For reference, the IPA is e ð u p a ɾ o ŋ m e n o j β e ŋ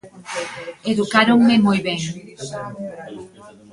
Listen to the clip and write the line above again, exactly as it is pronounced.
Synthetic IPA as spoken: e ð u k a ɾ o ŋ m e m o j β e ŋ